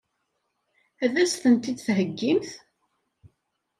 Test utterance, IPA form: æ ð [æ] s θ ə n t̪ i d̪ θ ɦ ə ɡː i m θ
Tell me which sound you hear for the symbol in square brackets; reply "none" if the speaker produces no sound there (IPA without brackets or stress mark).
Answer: æ